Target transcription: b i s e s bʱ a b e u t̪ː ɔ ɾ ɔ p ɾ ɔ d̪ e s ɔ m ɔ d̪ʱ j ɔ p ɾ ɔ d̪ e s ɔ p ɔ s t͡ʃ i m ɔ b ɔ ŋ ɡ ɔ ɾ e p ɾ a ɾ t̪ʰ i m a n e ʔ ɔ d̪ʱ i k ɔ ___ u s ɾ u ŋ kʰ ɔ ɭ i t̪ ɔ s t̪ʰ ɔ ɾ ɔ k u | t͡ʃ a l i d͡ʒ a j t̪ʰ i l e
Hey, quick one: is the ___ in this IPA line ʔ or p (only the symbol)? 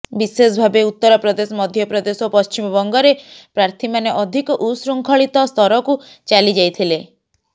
ʔ